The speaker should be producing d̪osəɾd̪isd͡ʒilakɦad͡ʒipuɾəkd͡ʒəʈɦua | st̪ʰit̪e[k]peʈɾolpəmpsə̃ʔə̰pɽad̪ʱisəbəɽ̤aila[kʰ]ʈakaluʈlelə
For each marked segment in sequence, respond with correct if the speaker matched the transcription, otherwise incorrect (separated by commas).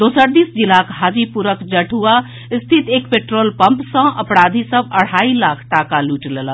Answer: correct, correct